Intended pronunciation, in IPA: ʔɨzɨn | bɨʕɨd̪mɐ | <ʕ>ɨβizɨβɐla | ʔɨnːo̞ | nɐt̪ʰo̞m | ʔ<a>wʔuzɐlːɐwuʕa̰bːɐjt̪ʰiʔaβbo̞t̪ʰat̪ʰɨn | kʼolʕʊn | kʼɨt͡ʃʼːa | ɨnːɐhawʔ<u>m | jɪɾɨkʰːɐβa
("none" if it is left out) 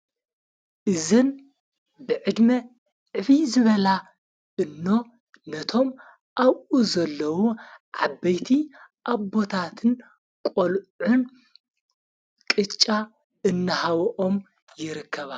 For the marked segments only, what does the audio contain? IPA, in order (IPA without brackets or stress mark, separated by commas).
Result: ʕ, a, o